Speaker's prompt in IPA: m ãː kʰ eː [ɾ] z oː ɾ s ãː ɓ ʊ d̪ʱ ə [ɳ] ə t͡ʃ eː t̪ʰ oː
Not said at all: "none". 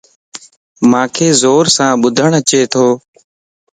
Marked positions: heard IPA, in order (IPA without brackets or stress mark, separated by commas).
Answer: none, ɳ